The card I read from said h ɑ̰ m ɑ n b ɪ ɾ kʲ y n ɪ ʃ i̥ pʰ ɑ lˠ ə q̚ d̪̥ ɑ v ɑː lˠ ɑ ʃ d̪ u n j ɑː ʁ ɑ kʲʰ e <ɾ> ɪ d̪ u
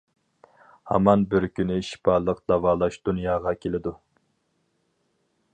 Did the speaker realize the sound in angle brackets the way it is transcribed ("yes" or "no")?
no